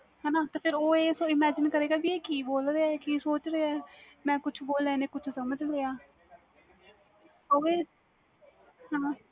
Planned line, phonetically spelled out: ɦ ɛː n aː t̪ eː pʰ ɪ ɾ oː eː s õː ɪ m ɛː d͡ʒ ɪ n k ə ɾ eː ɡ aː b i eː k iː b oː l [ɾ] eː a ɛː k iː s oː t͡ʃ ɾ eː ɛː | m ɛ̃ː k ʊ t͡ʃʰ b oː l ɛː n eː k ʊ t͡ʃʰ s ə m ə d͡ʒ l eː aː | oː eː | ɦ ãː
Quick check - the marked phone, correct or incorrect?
correct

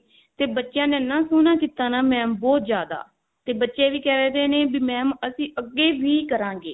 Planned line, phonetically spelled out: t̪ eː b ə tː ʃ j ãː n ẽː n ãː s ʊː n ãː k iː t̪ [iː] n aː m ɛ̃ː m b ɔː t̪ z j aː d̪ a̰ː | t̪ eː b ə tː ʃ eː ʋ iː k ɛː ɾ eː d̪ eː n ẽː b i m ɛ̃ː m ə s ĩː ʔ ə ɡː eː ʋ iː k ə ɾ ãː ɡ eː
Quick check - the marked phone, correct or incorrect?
incorrect: aː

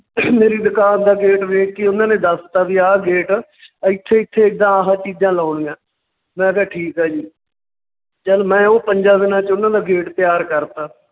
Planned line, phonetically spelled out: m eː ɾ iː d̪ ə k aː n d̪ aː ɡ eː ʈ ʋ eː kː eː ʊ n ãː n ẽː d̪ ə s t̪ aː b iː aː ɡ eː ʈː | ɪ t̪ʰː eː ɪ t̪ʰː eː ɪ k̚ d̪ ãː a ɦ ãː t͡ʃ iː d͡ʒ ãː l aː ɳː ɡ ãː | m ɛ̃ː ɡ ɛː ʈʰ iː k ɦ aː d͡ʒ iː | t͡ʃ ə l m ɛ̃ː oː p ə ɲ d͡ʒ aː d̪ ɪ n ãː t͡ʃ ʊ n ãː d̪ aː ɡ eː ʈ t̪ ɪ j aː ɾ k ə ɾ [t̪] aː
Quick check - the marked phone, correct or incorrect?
correct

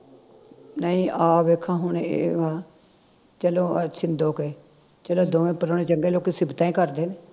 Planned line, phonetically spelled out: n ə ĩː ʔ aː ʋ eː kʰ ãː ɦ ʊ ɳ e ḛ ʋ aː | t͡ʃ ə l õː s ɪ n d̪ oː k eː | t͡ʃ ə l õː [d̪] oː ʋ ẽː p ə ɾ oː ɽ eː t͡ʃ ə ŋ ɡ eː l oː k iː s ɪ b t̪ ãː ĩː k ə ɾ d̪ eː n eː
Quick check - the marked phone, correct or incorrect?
correct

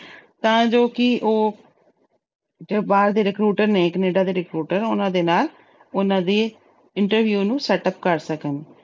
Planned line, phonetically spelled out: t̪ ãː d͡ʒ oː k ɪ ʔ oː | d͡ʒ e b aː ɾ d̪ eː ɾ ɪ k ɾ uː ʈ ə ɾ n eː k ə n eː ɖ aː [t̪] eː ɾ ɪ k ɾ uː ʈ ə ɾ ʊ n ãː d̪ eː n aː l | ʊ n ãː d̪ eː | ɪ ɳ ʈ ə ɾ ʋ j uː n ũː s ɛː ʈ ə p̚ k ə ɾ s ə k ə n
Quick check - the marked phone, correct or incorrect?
incorrect: d̪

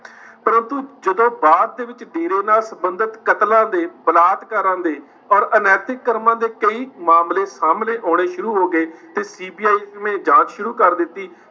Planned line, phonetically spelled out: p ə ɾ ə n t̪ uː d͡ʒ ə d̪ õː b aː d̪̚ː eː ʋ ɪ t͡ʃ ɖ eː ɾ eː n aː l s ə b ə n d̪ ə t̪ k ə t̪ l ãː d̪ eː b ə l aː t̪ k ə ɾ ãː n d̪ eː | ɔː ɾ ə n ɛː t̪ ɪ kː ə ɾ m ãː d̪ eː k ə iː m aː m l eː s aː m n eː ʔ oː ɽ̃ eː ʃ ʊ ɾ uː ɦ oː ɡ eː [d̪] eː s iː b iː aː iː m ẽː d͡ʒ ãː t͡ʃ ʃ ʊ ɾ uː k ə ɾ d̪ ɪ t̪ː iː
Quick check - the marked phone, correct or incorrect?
incorrect: t̪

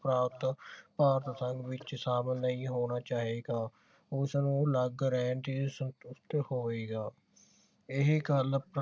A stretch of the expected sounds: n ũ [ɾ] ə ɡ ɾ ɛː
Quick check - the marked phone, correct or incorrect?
incorrect: l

